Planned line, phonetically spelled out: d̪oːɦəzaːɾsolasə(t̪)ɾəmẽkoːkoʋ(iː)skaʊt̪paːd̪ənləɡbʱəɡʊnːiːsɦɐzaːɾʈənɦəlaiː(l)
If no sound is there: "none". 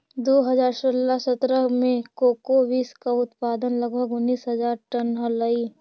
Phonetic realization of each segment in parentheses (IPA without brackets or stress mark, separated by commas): t̪, iː, none